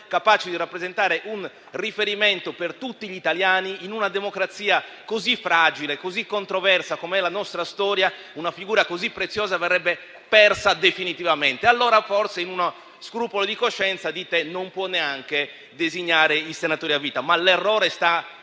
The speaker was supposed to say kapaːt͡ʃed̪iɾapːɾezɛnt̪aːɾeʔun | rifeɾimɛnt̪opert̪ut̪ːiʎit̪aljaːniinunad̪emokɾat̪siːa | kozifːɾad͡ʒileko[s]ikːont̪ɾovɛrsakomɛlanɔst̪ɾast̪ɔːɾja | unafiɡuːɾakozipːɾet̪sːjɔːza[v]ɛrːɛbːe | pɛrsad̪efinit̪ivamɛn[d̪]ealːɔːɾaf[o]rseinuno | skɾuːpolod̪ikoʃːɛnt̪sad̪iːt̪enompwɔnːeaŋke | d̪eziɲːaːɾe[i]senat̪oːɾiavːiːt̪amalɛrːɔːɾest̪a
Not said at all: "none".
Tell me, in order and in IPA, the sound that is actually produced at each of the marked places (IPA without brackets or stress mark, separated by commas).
z, v, t̪, ɔ, i